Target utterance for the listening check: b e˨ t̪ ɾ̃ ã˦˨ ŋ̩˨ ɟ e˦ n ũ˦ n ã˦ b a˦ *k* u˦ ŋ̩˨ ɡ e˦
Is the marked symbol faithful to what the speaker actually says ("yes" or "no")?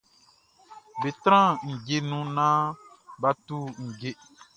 no